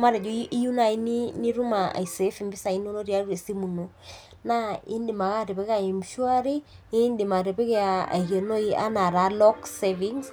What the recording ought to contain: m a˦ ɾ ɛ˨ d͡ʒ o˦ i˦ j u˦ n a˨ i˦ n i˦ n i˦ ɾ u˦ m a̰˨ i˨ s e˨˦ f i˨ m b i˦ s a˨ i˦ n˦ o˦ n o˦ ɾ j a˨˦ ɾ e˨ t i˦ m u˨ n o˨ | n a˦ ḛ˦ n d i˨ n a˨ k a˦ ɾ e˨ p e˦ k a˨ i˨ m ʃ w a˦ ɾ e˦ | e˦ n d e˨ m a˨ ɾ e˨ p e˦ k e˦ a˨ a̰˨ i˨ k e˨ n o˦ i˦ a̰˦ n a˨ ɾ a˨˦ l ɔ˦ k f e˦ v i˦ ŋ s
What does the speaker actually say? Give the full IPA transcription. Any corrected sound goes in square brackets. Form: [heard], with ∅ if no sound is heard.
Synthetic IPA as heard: m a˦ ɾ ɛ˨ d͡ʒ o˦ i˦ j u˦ n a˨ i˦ n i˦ n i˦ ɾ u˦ m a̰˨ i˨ s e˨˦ f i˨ m b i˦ s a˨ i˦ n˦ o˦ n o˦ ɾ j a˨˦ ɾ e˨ [s] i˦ m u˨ n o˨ | n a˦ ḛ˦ n d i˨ [m] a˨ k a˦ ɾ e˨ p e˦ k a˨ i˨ m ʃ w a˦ ɾ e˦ | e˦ n d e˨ m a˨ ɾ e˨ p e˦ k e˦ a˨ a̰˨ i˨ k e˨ n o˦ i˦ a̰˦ n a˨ ɾ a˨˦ l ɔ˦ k [s] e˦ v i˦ ŋ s